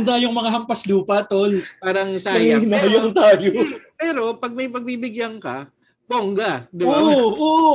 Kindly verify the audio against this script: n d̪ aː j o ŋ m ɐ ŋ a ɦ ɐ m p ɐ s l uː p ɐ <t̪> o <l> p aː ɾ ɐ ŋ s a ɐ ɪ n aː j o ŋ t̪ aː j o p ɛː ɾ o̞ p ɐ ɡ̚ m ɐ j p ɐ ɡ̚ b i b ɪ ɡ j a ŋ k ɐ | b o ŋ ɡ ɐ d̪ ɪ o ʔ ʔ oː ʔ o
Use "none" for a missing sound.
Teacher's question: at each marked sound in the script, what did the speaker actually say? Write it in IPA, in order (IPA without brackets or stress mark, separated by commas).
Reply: t̪, l